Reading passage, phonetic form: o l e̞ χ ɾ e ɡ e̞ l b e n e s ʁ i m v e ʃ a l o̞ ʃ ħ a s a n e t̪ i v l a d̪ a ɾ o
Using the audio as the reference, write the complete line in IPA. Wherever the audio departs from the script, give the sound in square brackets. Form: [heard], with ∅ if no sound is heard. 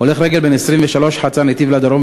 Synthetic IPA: o l e̞ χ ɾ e ɡ e̞ l b e n e s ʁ i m v e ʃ a l o̞ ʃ ħ a [t͡s] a n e t̪ i v l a d̪ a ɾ o